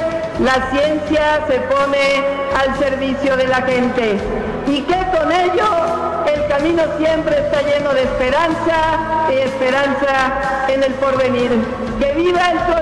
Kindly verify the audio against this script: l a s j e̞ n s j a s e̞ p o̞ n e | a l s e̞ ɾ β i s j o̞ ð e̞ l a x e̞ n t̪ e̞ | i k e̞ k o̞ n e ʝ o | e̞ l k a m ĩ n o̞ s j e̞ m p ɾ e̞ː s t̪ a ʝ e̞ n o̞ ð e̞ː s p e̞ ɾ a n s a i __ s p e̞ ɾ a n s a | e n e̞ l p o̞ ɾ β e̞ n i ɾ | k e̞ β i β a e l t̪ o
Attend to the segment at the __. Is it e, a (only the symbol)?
e